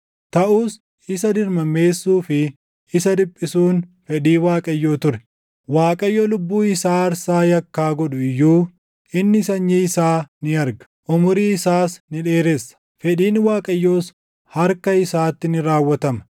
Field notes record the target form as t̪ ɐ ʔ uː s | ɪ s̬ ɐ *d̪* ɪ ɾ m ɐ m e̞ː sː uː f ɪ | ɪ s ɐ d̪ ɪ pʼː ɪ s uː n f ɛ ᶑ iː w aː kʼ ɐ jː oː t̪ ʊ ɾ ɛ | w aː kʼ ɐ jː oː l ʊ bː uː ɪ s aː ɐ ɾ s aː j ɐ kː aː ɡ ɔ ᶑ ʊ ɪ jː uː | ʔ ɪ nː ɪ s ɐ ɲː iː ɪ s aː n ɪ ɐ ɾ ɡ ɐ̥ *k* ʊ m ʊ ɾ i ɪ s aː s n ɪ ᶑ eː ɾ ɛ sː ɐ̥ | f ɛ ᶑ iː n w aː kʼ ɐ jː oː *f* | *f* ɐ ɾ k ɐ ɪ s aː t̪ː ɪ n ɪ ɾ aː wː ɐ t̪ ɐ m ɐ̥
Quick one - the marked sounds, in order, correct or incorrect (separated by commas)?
correct, incorrect, incorrect, incorrect